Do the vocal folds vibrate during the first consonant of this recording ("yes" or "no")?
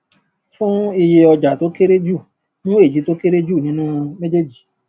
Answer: no